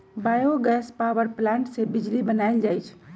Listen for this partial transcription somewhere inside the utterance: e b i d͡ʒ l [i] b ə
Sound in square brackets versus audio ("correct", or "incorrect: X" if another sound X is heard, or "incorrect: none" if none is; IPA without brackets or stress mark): correct